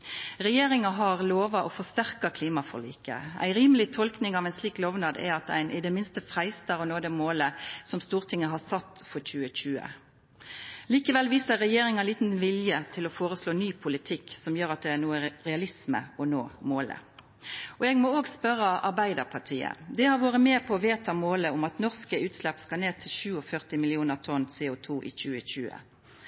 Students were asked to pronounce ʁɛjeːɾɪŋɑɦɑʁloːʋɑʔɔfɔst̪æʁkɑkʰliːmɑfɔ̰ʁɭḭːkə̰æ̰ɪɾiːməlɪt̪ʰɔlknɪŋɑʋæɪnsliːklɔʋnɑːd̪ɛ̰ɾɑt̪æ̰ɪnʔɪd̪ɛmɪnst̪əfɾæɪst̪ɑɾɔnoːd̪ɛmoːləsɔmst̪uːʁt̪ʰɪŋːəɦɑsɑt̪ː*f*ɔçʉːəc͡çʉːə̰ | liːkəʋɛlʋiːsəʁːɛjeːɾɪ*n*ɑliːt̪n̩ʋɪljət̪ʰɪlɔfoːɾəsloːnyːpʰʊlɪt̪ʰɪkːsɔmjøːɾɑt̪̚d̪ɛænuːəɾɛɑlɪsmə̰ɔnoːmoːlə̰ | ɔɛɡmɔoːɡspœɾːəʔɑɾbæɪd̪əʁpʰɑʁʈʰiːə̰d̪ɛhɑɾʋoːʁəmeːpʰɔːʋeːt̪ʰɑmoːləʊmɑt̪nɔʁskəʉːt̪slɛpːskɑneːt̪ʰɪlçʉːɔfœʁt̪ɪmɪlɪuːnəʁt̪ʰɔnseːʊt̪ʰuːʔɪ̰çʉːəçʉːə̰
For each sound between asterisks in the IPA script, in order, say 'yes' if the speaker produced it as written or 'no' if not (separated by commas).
yes, no